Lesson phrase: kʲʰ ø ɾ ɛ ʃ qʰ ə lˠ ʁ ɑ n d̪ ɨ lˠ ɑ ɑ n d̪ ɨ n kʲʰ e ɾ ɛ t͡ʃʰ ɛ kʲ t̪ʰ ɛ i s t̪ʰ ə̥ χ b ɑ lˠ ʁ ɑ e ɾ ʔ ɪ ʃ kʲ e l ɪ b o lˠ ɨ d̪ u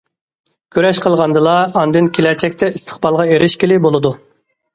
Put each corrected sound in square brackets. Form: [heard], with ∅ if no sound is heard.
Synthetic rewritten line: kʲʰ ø ɾ ɛ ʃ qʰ ə lˠ ʁ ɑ n d̪ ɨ lˠ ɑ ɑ n d̪ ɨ n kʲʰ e [l] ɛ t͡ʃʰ ɛ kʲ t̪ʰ ɛ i s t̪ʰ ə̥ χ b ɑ lˠ ʁ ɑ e ɾ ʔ ɪ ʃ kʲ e l ɪ b o lˠ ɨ d̪ u